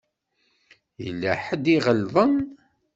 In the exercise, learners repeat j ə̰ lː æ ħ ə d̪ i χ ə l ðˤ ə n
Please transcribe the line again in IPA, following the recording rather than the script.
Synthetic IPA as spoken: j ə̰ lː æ ħ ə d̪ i ʁ ə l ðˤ ə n